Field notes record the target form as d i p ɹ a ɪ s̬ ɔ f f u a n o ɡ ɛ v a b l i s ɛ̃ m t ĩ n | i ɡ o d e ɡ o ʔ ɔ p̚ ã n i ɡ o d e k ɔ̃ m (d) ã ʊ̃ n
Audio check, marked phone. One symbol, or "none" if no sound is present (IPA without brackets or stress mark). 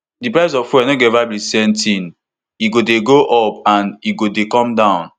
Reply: d